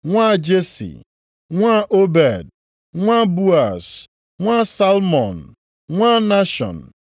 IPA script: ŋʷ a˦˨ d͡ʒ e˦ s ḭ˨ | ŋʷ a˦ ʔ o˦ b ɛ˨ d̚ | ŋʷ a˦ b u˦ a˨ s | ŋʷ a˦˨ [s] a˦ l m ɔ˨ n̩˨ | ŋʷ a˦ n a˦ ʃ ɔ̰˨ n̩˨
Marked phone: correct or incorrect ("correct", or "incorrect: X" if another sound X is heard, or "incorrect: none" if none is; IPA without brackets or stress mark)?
correct